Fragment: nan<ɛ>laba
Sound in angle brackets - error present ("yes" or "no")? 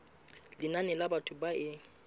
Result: no